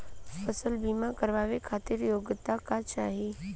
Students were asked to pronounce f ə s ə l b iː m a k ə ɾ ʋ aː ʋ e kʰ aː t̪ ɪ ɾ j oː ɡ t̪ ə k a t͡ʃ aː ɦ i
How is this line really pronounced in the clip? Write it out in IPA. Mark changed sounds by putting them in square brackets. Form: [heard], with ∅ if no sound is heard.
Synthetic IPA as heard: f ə s ə l b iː m a k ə ɾ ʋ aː ʋ e kʰ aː t̪ ɪ ɾ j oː ɡ t̪ [a] k a t͡ʃ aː ɦ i